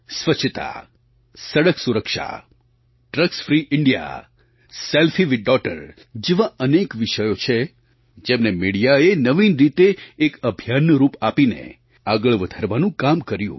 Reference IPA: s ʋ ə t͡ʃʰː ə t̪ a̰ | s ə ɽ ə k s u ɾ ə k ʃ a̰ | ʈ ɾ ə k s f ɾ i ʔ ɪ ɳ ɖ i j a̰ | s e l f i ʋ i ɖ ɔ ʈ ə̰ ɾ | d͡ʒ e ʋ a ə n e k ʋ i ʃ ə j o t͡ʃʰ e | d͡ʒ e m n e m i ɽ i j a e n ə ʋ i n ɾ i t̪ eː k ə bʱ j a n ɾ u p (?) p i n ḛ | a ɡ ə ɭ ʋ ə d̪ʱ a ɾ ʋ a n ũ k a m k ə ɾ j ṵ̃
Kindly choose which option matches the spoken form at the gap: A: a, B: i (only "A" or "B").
A